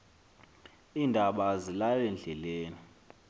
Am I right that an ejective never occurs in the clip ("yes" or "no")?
yes